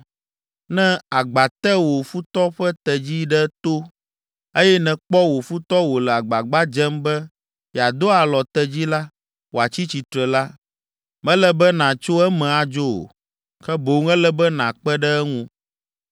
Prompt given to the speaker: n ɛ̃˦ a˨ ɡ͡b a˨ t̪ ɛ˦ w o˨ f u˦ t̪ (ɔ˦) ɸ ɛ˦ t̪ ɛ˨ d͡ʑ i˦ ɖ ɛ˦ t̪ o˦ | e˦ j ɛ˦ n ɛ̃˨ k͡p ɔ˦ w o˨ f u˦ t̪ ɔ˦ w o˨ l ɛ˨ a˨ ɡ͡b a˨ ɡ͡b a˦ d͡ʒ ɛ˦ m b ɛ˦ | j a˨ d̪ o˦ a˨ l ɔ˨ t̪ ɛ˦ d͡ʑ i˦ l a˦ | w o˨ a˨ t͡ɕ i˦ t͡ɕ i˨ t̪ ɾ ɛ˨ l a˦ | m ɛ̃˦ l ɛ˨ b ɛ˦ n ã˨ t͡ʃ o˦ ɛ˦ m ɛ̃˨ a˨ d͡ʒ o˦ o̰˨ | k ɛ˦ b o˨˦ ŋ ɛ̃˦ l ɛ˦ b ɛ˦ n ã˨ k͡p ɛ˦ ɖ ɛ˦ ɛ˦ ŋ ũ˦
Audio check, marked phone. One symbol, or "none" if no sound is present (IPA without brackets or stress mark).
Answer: ɔ˦